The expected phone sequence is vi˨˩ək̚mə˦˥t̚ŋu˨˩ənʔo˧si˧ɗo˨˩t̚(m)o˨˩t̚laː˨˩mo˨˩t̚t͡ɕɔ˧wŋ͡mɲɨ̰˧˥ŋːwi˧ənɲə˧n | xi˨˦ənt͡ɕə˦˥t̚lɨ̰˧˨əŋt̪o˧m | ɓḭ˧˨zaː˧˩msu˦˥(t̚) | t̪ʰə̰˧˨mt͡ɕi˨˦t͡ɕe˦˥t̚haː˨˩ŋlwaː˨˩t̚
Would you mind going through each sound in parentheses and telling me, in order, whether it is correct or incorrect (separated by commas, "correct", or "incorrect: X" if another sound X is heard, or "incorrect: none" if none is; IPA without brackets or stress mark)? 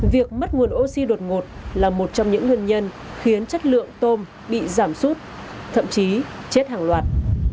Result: incorrect: ŋ, correct